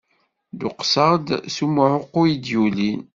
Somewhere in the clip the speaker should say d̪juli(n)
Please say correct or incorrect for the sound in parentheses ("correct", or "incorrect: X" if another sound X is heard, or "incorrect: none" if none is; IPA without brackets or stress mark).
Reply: correct